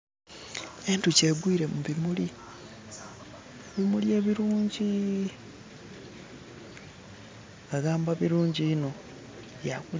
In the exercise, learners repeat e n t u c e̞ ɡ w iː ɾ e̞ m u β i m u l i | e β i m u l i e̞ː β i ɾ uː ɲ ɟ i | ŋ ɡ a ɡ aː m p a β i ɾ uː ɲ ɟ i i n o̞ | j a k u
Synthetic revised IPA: e n t u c e̞ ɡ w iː ɾ e̞ m u β i m u l i | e β i m u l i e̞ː β i ɾ uː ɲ ɟ i | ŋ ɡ a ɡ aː m b a β i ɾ uː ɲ ɟ i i n o̞ | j a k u